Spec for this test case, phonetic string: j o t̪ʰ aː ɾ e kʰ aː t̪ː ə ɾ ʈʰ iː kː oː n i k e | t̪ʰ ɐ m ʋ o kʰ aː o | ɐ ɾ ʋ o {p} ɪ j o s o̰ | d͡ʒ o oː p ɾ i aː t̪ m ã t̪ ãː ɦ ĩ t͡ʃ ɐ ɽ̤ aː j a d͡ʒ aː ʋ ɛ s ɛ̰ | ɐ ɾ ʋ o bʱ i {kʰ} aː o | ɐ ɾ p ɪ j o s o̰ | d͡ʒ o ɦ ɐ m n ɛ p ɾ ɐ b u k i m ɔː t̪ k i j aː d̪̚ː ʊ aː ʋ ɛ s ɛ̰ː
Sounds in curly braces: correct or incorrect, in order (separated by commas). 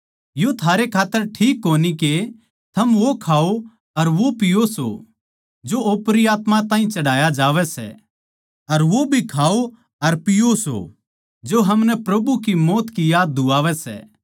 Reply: correct, correct